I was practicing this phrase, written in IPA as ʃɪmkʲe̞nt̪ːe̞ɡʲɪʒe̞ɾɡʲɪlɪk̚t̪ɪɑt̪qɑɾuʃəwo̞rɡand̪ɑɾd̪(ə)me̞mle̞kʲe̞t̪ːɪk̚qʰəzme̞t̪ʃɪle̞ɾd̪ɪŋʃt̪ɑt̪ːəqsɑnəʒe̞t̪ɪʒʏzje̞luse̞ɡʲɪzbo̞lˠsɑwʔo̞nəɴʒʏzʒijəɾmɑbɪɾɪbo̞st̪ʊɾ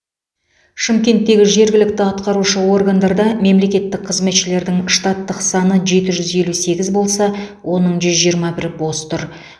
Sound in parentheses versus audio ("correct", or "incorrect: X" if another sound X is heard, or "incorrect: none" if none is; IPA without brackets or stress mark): incorrect: ɑ